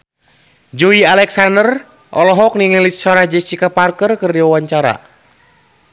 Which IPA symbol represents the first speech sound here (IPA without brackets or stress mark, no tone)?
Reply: d͡ʒ